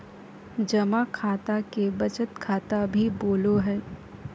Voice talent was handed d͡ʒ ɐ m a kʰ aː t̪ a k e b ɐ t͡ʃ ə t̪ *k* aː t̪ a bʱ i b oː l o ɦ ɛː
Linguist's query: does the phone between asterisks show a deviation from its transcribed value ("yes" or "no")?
yes